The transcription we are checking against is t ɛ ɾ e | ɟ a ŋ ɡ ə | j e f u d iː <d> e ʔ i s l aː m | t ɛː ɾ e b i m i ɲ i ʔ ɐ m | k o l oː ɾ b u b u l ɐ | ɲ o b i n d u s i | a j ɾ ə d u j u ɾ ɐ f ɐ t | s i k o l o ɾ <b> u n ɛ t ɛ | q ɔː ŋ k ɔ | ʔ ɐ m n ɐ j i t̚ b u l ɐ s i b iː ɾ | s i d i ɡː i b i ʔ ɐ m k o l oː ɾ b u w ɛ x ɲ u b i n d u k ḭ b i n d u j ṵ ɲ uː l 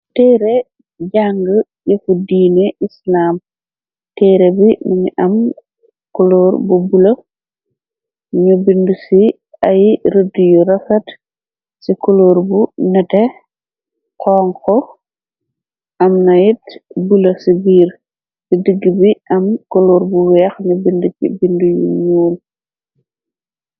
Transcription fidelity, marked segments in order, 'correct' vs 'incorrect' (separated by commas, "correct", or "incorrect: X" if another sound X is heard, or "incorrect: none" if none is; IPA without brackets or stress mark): incorrect: n, correct